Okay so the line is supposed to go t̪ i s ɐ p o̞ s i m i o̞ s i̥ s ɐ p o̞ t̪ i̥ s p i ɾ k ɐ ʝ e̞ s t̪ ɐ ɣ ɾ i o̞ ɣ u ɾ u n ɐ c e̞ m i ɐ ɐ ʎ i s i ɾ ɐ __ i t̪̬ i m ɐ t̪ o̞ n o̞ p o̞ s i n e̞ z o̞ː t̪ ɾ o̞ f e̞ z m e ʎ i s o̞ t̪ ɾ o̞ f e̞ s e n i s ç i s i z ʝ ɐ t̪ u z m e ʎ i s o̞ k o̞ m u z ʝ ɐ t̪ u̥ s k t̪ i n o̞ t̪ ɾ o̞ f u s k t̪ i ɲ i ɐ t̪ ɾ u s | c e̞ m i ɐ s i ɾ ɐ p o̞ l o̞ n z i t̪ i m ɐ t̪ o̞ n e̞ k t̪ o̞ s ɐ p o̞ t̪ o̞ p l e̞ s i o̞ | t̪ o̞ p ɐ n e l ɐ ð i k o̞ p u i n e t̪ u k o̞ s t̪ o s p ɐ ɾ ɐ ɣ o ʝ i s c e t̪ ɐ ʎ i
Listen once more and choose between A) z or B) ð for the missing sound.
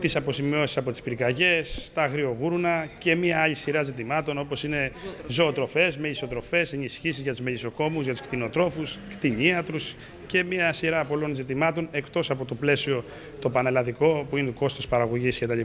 A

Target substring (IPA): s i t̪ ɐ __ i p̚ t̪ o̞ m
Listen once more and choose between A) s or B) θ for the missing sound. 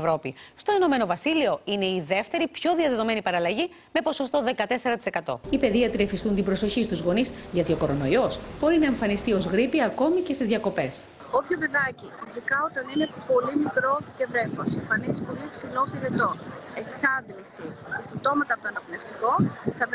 A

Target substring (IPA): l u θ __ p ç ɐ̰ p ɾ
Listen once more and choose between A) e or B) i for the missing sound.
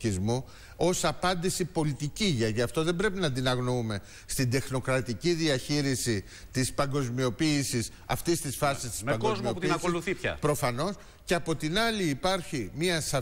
B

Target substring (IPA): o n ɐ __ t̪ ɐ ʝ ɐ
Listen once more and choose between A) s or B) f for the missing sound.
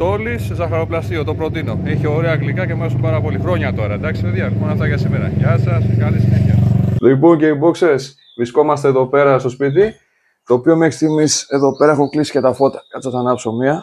B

